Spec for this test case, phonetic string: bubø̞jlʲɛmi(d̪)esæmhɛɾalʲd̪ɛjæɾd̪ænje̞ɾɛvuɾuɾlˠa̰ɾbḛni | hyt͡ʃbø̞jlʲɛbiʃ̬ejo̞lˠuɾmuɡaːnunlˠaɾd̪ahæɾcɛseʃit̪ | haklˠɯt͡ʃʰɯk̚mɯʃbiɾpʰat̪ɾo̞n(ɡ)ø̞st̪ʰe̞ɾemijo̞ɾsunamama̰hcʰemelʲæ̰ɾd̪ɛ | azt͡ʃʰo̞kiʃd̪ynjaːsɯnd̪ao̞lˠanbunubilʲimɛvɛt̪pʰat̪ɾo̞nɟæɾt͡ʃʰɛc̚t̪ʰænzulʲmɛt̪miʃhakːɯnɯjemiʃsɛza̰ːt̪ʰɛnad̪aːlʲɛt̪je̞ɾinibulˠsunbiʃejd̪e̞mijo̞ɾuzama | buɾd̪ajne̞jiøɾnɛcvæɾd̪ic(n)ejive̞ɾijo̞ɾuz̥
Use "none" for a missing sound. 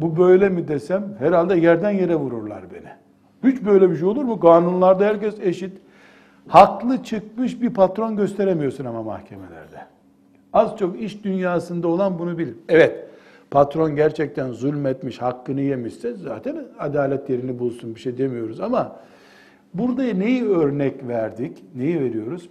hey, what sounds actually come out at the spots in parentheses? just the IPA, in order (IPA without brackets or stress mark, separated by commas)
d̪, ɟ, n